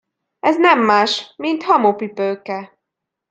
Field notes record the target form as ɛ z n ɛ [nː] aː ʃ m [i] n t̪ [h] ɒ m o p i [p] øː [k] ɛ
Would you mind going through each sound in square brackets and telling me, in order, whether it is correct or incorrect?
incorrect, correct, correct, correct, correct

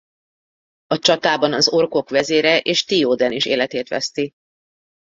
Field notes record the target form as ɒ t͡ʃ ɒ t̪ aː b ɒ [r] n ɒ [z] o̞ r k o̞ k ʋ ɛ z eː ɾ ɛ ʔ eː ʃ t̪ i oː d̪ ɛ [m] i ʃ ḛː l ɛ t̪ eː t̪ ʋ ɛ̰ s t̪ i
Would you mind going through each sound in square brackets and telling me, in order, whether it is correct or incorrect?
incorrect, correct, incorrect

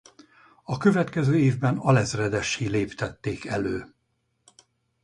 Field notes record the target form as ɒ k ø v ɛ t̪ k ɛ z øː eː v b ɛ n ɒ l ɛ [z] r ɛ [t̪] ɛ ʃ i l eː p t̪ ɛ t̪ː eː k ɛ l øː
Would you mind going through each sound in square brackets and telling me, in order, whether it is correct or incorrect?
correct, incorrect

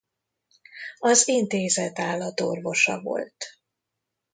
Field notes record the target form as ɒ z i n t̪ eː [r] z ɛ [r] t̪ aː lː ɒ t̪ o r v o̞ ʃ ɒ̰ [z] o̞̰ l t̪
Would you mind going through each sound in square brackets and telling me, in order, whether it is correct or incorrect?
incorrect, incorrect, incorrect

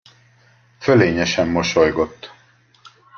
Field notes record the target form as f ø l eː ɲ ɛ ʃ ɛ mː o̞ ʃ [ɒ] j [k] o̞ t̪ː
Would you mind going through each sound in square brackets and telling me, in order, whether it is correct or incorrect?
incorrect, incorrect

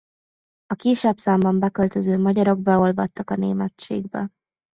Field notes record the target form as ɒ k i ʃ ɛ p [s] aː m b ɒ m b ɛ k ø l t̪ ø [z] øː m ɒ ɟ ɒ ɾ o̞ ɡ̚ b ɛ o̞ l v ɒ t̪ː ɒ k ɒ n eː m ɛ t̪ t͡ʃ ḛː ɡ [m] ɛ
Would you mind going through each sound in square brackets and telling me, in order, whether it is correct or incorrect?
correct, correct, incorrect

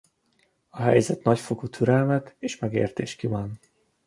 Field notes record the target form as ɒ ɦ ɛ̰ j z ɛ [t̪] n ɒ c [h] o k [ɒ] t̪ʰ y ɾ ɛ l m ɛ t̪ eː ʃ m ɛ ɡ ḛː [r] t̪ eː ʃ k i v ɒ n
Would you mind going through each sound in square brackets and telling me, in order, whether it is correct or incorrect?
correct, incorrect, incorrect, correct

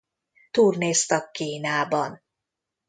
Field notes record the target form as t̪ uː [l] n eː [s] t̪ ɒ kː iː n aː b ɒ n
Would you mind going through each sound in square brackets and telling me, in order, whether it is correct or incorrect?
incorrect, correct

